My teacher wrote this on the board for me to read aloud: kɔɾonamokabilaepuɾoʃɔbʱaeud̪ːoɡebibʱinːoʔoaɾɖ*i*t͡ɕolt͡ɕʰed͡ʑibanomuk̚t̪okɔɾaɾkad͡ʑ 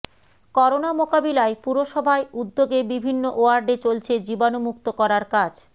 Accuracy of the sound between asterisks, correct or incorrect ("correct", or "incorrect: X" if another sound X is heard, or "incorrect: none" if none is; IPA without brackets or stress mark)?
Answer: incorrect: e